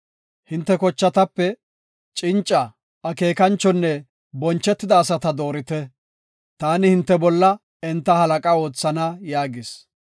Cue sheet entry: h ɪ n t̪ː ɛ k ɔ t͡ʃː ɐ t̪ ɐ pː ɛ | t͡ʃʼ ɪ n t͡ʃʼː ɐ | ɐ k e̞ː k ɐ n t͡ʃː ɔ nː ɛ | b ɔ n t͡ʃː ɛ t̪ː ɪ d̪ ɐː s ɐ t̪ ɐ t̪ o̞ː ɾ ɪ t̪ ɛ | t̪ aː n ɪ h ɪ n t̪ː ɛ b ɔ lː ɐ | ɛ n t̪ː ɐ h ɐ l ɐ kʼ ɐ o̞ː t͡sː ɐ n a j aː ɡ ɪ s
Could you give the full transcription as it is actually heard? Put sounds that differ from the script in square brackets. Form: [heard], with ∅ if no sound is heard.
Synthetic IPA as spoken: h ɪ n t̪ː ɛ k ɔ t͡ʃː ɐ t̪ ɐ pː ɛ | t͡ʃʼ ɪ n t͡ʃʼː ɐ | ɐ k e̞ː k ɐ n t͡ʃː ɔ nː ɛ | b ɔ n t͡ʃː ɛ t̪ː ɪ d̪ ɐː s ɐ t̪ ɐ [d̪] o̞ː ɾ ɪ t̪ ɛ | t̪ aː n ɪ h ɪ n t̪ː ɛ b ɔ lː ɐ | ɛ n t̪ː ɐ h ɐ l ɐ kʼ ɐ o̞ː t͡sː ɐ n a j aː ɡ ɪ s